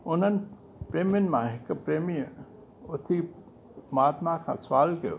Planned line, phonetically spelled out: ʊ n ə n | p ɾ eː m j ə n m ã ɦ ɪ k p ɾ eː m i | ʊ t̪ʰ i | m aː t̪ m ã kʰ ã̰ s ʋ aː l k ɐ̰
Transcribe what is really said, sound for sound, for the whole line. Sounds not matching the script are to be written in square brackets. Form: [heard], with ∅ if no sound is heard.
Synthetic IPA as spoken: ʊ n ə n | p ɾ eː m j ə n m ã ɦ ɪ k p ɾ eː m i | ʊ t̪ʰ i | m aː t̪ m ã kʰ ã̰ s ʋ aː l k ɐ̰